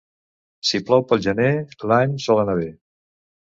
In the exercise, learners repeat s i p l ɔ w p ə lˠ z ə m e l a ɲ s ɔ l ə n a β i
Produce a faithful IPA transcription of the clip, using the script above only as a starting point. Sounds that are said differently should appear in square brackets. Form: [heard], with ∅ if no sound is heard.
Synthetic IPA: s i p l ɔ w p ə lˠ [ʒ] ə [n] e l a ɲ s ɔ l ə n a β [e]